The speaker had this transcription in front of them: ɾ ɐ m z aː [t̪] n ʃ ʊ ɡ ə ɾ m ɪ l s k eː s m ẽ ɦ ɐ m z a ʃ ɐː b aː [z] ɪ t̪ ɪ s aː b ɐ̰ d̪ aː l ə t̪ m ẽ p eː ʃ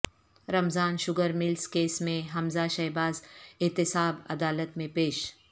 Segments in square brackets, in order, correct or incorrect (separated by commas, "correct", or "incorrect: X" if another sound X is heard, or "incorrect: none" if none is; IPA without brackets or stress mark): incorrect: none, correct